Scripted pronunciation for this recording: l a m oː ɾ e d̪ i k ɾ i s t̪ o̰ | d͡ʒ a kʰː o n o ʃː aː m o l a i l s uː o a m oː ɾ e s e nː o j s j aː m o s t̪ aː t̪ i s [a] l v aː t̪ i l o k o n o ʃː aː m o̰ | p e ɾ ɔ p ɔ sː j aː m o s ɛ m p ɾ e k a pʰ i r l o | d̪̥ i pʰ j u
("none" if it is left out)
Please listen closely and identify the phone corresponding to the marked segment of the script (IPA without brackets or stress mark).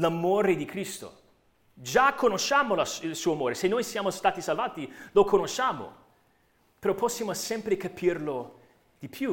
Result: a